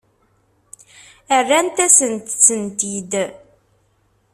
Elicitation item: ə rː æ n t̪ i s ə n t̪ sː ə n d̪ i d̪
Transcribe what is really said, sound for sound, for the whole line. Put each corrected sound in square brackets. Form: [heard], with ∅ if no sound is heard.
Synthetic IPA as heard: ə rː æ n t̪ [æ] s ə n t̪ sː ə n [t̪] i d̪